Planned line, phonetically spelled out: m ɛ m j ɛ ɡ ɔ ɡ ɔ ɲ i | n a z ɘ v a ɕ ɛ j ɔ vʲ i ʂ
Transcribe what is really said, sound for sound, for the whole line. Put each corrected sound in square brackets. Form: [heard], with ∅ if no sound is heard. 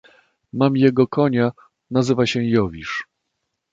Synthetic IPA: m [a] m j ɛ ɡ ɔ [k] ɔ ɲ [a] | n a z ɘ v a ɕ ɛ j ɔ vʲ i ʂ